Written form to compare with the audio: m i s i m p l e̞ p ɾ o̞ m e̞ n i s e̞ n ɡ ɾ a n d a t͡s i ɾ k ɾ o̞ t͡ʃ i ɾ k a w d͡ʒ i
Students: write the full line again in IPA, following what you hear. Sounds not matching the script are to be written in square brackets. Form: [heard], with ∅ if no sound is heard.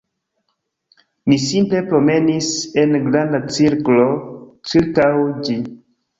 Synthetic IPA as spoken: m i s i m p l e̞ p ɾ o̞ m e̞ n i s e̞ n ɡ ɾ a n d a t͡s i ɾ k [l] o̞ t͡ʃ i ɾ k a w d͡ʒ i